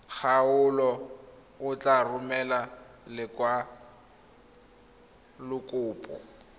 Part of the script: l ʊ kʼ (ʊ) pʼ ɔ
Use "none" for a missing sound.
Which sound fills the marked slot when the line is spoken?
ʊː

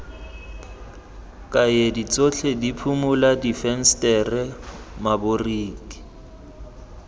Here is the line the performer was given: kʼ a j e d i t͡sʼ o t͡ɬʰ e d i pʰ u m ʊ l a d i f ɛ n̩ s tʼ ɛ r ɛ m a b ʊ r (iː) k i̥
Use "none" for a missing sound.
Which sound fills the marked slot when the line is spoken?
iː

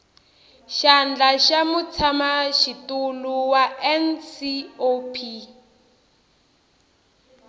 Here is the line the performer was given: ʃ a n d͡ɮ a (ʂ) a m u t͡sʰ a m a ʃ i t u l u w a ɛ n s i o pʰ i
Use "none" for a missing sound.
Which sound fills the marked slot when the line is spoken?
ʃ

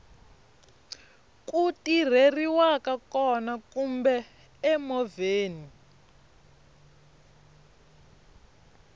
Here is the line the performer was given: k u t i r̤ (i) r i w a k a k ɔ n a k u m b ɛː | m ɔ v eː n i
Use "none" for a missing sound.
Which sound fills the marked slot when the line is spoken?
e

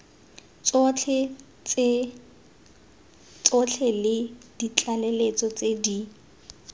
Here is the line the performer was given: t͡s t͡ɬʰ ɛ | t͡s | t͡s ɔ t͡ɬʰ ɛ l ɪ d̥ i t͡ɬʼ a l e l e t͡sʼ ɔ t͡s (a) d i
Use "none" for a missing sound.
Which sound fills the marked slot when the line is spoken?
e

